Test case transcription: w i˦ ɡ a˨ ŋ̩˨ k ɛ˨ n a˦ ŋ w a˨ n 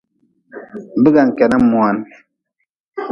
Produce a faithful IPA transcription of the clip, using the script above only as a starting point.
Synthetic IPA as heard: b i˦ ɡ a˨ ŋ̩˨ k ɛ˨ n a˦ m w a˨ n